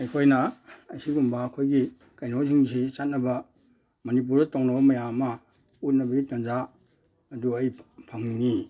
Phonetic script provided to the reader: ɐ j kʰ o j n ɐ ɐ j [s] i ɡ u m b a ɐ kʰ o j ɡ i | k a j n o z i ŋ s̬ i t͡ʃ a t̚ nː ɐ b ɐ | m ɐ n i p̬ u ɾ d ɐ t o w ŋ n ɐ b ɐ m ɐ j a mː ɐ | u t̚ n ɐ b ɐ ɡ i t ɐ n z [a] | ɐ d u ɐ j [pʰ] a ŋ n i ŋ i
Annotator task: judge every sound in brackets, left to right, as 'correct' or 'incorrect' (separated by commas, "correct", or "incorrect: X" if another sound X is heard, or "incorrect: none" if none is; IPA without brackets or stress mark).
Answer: correct, correct, correct